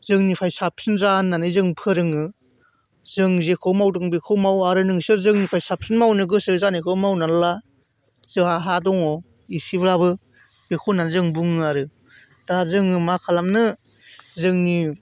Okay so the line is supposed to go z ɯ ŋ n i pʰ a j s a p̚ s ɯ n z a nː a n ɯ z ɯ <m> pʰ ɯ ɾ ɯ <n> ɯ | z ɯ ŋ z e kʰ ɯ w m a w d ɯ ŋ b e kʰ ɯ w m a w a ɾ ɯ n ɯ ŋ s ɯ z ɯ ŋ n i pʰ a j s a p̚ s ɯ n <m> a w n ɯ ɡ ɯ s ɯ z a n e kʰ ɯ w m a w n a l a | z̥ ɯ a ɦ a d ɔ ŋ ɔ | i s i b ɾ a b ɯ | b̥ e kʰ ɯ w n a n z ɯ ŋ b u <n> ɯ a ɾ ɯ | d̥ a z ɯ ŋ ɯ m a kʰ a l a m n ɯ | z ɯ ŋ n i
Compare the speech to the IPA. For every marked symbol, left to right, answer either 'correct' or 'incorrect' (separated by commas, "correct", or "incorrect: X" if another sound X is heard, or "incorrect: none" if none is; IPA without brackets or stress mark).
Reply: incorrect: ŋ, incorrect: ŋ, correct, incorrect: ŋ